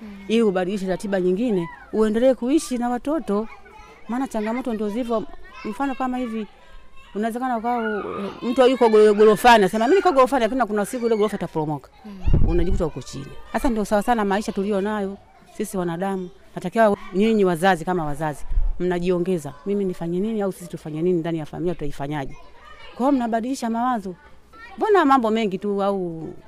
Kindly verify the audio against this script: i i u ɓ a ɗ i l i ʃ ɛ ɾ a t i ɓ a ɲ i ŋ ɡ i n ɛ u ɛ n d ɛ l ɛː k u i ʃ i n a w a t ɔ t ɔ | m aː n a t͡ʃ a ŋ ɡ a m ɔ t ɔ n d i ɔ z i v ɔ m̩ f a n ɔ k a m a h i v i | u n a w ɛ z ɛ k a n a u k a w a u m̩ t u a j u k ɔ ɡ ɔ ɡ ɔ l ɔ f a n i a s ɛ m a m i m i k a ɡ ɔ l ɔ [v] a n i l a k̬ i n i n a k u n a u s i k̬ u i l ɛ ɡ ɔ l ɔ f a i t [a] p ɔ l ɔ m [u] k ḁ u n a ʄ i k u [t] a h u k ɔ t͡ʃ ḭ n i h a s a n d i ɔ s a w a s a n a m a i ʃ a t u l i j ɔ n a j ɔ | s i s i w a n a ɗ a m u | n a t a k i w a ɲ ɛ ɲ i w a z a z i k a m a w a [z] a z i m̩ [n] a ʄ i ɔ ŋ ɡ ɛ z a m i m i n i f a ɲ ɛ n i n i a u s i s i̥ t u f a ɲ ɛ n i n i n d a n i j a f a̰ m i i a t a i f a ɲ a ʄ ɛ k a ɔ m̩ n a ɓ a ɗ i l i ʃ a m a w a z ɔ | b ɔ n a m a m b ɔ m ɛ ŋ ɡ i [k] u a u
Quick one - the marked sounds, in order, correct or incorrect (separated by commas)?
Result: incorrect, correct, incorrect, correct, correct, correct, incorrect